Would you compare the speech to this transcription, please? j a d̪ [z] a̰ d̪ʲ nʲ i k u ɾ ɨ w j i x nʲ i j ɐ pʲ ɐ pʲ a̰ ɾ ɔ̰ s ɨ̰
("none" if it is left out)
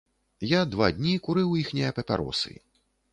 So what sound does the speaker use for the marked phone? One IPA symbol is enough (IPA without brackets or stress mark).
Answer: v